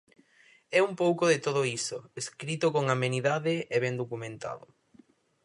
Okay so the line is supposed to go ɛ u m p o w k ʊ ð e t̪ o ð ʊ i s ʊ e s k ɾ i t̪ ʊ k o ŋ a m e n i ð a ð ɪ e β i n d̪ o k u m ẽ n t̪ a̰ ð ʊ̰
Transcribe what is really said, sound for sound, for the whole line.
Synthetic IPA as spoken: ɛ u m p o w k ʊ ð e t̪ o ð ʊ i s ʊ e s k ɾ i t̪ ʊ k o ŋ a m e n i ð a ð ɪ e β ɛ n d̪ o k u m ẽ n t̪ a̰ ð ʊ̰